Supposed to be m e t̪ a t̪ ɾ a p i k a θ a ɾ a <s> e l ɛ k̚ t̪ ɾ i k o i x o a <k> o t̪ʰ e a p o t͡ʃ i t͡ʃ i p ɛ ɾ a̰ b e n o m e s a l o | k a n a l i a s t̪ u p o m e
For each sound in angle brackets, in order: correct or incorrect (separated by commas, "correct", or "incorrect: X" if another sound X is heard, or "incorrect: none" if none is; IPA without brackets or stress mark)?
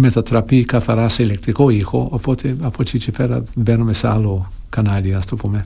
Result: correct, incorrect: p